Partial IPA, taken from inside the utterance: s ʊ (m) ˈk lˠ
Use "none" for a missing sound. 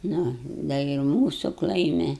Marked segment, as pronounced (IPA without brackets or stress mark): none